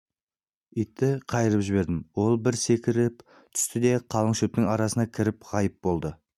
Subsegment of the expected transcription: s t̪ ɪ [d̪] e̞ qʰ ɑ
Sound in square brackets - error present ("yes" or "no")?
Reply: no